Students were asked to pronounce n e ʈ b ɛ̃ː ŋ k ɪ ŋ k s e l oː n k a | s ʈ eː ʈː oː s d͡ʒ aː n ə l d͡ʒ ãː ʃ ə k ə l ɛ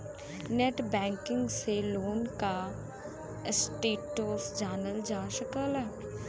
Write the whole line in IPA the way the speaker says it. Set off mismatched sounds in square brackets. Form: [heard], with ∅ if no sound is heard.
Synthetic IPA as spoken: n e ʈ b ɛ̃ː ŋ k ɪ ŋ [ɡ] s e l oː n k a | s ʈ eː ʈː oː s d͡ʒ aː n ə l d͡ʒ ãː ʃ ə k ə l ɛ

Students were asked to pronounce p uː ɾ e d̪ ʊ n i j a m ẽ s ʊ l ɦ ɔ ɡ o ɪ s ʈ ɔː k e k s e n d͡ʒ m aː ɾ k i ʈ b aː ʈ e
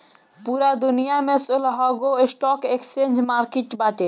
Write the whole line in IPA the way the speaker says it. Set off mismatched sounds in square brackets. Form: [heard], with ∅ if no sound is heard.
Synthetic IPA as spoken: p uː ɾ [a] d̪ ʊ n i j a m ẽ s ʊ l ɦ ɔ ɡ o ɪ s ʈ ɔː k e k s e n d͡ʒ m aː ɾ k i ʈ b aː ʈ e

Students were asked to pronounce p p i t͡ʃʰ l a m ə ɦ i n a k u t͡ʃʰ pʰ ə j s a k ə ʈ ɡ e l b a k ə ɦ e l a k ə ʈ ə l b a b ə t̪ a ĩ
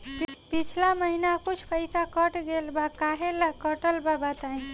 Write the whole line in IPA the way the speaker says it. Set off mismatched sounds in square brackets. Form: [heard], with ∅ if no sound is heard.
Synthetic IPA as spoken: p p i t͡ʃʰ l a m ə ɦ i n a k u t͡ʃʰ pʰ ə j s a k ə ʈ ɡ e l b a k [a] ɦ e l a k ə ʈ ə l b a b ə t̪ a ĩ

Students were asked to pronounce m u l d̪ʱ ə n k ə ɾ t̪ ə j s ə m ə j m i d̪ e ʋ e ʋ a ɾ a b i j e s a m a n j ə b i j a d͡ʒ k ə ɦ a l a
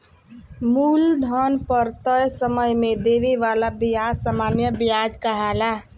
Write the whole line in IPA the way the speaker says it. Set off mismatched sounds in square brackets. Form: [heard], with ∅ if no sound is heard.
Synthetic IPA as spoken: m u l d̪ʱ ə n [p] ə ɾ t̪ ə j s ə m ə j m [e] d̪ e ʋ [i] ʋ a [l] a b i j [a] s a m a n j ə b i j a d͡ʒ k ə ɦ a l a

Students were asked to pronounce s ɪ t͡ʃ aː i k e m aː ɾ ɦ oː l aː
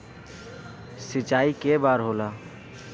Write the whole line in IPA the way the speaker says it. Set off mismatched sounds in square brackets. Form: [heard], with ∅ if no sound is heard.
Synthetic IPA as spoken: s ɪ t͡ʃ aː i k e [b] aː ɾ ɦ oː l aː

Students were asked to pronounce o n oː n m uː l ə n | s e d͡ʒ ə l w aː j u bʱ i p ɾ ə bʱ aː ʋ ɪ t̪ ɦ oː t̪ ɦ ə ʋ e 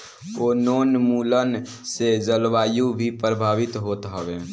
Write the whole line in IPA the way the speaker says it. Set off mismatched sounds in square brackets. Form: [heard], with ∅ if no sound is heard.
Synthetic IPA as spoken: o n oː n m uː l ə n | s e d͡ʒ ə l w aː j u bʱ i p ɾ ə bʱ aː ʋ ɪ t̪ ɦ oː t̪ ɦ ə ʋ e

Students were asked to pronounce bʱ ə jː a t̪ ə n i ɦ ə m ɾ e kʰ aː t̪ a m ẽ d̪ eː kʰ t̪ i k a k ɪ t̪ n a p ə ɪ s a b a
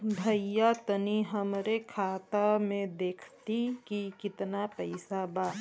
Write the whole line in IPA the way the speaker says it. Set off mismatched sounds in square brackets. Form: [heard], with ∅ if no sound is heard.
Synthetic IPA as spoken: bʱ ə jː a t̪ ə n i ɦ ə m ɾ e kʰ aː t̪ a m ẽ d̪ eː kʰ t̪ i k [i] k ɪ t̪ n a p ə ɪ s a b a

